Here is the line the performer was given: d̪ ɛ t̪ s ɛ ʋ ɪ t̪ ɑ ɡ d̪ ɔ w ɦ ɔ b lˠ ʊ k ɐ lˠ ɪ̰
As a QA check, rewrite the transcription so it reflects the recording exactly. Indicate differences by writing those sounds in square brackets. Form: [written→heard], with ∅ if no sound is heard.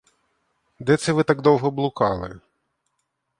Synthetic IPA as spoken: d̪ ɛ t̪ s ɛ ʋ ɪ t̪ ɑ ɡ d̪ ɔ w ɦ ɔ b lˠ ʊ k [ɐ→ɑ] lˠ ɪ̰